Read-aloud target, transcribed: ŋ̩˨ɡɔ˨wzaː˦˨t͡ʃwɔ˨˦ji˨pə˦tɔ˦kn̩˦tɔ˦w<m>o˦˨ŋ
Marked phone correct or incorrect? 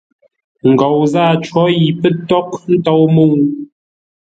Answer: correct